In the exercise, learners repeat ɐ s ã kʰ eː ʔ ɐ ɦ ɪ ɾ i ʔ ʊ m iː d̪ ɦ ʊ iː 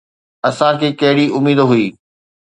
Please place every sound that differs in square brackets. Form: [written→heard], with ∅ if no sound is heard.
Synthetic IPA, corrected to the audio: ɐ s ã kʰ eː [ʔ→k] ɐ ɦ ɪ [ɾ→ɽ] i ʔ ʊ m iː d̪ ɦ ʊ iː